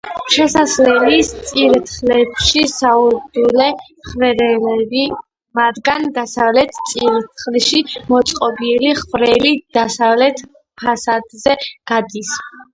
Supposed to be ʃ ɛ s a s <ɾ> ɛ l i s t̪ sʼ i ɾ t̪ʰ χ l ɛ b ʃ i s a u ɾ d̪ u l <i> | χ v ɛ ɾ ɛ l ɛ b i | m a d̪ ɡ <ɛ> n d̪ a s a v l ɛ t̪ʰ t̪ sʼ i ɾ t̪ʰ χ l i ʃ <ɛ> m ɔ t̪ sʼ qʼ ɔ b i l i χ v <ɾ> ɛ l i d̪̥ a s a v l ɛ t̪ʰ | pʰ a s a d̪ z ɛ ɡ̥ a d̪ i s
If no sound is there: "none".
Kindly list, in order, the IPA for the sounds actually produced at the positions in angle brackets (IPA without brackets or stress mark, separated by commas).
l, ɛ, a, i, ɾ